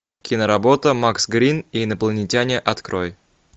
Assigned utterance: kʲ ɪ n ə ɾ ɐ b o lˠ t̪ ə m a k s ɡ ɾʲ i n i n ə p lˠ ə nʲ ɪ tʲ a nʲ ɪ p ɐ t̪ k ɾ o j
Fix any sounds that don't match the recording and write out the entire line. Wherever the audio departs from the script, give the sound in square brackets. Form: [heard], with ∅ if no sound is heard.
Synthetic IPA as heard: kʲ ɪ n ə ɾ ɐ b o [∅] t̪ ə m a k s ɡ ɾʲ i n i n ə p lˠ ə nʲ ɪ tʲ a nʲ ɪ [ʔ] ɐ t̪ k ɾ o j